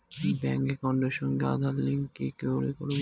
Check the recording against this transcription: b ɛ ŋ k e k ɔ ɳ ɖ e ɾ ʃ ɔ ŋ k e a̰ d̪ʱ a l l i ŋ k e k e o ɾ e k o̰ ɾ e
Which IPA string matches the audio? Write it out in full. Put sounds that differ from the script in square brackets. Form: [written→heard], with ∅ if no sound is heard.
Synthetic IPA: b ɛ ŋ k e k ɔ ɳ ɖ e ɾ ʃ ɔ ŋ [k→ɡ] e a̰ d̪ʱ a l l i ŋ k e k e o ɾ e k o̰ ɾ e